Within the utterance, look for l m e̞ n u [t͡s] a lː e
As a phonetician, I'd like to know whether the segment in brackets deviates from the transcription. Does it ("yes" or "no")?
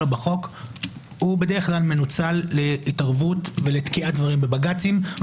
no